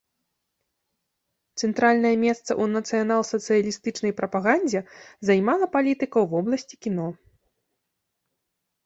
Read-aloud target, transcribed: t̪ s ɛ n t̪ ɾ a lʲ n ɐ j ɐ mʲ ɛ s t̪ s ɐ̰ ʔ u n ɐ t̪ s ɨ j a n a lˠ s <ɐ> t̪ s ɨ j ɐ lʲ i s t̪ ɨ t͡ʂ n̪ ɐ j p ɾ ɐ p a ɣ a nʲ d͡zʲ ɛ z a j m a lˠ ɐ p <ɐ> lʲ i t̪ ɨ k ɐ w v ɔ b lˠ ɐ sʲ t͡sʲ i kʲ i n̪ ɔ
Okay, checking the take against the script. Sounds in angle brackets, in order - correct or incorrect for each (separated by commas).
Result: correct, incorrect